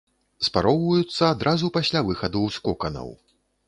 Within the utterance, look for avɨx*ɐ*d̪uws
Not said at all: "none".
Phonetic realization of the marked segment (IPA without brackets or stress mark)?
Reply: ɐ